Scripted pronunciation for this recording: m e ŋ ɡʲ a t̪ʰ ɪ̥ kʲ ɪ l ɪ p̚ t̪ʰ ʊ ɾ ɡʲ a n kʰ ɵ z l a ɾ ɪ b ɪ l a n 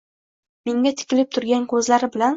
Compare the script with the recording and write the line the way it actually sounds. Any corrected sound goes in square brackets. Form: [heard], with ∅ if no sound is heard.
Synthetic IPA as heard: m e ŋ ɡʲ a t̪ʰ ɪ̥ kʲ ɪ l ɪ p̚ t̪ʰ ʊ ɾ ɡʲ a n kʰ ɵ z l a ɾ ɪ b ɪ l a n